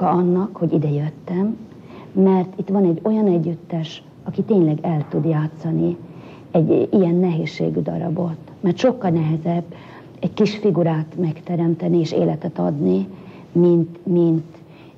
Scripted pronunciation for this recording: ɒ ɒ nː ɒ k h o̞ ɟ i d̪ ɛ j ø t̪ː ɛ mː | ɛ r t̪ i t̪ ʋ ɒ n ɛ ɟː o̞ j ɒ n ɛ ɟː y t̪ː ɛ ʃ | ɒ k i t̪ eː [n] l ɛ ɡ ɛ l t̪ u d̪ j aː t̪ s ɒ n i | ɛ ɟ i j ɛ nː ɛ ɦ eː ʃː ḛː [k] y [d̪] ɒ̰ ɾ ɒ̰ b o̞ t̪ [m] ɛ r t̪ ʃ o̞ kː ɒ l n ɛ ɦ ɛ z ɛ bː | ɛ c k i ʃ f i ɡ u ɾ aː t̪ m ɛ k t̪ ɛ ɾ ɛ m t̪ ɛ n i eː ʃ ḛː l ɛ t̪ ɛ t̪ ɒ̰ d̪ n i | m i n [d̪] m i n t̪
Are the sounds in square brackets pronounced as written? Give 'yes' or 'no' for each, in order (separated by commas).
no, no, yes, yes, no